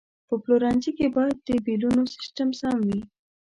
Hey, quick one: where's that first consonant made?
lips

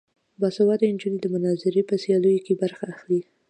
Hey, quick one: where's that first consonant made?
lips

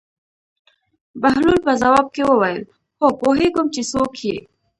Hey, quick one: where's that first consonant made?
lips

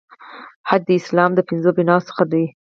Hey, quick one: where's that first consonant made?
throat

